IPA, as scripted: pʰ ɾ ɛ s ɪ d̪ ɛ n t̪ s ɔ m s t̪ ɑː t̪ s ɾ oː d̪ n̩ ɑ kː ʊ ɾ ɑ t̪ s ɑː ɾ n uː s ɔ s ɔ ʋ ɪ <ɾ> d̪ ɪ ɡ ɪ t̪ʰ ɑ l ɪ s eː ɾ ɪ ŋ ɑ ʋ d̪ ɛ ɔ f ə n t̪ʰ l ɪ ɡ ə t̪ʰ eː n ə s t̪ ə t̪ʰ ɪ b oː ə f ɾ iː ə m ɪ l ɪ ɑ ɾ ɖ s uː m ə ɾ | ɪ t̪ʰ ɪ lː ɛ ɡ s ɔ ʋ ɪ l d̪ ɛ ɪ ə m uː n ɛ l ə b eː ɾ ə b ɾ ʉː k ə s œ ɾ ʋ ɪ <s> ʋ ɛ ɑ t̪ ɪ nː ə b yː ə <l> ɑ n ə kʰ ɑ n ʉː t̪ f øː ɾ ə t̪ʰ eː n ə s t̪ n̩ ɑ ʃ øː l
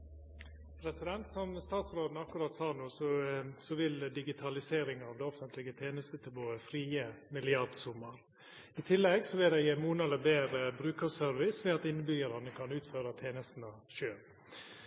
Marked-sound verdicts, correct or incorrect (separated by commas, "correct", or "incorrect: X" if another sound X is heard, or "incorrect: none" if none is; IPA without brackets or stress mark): incorrect: l, correct, incorrect: ɾ